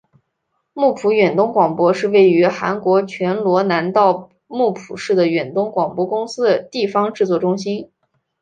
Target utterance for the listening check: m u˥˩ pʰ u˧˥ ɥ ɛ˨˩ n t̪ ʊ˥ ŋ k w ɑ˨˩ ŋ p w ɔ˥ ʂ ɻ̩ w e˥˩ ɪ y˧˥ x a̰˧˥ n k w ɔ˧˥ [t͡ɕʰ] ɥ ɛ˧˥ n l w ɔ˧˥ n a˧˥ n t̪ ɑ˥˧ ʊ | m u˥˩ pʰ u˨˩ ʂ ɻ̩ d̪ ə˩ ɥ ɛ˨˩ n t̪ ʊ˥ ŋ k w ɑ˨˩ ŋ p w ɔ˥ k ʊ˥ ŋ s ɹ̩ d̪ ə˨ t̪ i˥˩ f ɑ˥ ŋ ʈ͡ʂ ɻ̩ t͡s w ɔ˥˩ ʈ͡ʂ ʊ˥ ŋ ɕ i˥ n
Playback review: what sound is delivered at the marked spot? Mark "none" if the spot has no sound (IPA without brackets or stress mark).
t͡ɕʰ